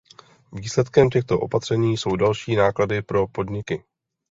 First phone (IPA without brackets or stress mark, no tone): v